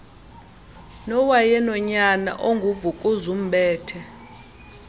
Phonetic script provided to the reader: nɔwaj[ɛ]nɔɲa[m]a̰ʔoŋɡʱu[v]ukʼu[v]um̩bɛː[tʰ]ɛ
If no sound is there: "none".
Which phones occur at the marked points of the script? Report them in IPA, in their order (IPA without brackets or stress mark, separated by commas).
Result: ɛ, n, v, z, tʰ